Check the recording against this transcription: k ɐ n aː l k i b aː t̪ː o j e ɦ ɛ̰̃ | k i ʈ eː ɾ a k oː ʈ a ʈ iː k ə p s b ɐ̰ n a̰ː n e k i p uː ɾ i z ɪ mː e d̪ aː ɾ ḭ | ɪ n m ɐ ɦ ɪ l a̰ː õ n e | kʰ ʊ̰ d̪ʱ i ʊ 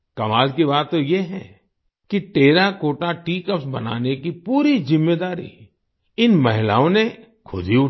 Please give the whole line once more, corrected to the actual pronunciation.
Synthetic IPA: k ɐ m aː l k i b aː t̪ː o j e ɦ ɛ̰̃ | k i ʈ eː ɾ a k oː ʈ a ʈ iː k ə p s b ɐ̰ n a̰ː n e k i p uː ɾ i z ɪ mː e d̪ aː ɾ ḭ | ɪ n m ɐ ɦ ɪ l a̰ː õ n e | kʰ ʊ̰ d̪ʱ i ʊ